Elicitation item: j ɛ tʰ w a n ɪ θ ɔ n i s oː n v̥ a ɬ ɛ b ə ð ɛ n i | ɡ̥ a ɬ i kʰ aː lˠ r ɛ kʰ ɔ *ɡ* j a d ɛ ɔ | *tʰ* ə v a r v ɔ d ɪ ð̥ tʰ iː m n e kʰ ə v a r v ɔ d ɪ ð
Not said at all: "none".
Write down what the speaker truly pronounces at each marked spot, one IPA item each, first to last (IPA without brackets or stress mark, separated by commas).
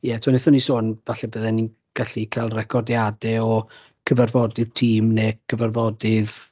d, kʰ